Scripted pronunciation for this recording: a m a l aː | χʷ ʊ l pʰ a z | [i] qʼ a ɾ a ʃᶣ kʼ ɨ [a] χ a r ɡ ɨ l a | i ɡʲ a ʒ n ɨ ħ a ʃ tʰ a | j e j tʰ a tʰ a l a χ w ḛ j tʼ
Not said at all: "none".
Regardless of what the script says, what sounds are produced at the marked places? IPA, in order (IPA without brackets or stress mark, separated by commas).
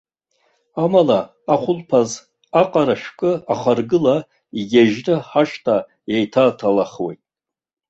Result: a, a